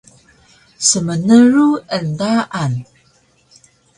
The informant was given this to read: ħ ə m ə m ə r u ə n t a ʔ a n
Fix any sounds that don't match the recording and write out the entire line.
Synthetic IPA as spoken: s ə m ə n ə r u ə n d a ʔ a n